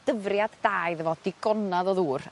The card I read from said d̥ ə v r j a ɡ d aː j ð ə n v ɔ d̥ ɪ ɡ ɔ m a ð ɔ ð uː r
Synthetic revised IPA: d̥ ə v r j a d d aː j ð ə v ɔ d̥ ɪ ɡ ɔ n a ð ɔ ð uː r